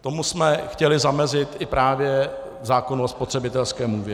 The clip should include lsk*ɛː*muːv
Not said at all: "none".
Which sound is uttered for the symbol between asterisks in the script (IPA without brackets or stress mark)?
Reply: ɛː